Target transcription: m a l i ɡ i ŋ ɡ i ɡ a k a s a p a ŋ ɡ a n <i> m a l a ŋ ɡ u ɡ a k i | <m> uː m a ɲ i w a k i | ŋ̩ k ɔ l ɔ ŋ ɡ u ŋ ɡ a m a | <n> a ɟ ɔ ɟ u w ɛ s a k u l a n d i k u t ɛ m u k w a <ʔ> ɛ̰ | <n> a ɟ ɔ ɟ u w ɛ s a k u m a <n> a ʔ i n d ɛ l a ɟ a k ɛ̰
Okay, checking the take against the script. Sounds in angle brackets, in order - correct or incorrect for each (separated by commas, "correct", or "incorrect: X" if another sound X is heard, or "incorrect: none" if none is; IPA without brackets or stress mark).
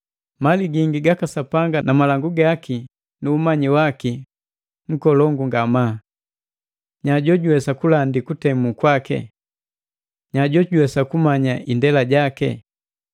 incorrect: a, incorrect: n, incorrect: ɲ, incorrect: k, incorrect: ɲ, incorrect: ɲ